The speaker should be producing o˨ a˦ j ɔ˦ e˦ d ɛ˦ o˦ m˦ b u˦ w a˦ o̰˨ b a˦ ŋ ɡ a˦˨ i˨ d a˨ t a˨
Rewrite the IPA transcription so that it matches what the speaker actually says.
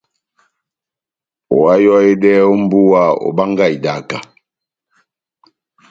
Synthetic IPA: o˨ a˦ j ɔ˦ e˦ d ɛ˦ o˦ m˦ b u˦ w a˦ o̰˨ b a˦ ŋ ɡ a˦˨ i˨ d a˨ k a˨

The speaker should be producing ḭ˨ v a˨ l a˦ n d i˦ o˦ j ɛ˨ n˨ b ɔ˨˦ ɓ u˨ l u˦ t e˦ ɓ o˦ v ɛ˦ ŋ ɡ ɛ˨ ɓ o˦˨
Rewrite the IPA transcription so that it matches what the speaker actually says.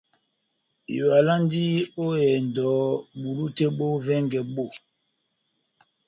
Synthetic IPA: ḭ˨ w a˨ l a˦ n d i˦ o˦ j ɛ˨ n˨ d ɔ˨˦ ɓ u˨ l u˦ t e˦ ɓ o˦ v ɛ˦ ŋ ɡ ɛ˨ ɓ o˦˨

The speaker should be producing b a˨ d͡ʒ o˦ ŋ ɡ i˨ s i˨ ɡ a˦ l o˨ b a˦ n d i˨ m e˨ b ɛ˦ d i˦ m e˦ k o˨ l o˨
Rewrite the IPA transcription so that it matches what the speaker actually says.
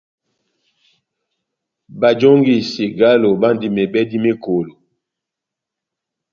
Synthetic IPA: b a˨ d͡ʒ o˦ ŋ ɡ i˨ s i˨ ɡ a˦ l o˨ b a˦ n d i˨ m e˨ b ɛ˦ d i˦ m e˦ k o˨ l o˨

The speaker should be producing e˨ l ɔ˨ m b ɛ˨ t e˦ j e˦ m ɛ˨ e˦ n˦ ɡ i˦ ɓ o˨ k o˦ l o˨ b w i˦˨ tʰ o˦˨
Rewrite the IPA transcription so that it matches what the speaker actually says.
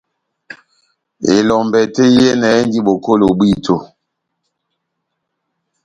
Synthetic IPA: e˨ l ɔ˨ m b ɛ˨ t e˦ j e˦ n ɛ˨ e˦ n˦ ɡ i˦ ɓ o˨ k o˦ l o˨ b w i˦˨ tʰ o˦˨

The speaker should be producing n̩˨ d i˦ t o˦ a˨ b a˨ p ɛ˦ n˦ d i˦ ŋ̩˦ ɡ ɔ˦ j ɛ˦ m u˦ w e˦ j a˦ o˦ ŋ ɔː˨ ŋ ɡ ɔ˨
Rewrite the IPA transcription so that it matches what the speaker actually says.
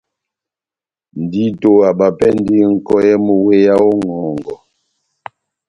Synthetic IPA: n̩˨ d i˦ t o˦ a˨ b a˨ p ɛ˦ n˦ d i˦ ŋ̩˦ k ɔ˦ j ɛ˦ m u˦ w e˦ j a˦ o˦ ŋ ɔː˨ ŋ ɡ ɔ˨

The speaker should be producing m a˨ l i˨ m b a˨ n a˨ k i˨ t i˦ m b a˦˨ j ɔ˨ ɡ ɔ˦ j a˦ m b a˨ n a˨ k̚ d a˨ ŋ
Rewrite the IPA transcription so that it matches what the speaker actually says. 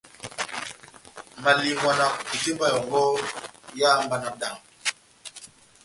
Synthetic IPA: m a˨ l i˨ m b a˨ n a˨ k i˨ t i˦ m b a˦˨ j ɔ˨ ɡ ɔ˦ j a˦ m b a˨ n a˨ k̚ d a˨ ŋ

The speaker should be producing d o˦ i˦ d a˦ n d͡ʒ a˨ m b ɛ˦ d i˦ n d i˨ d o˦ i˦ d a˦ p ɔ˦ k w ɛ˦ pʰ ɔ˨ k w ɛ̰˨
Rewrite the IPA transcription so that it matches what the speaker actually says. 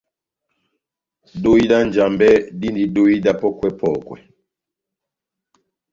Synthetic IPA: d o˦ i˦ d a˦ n d͡ʒ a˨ m b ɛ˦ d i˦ n d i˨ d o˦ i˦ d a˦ p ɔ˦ k w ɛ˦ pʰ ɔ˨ k w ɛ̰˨

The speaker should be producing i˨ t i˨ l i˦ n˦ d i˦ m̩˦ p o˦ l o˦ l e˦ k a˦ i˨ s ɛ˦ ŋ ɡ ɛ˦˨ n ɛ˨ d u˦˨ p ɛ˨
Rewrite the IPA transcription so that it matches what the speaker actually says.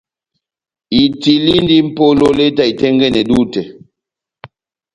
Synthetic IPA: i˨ t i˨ l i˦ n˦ d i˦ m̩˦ p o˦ l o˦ l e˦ t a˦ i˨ t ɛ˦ ŋ ɡ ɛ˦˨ n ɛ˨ d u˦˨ t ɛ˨

